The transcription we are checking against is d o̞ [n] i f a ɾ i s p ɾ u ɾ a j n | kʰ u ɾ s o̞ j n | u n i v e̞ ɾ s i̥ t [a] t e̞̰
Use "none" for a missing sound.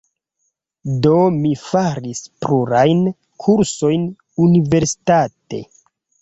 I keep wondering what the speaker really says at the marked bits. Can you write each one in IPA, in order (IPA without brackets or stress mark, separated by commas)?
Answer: m, a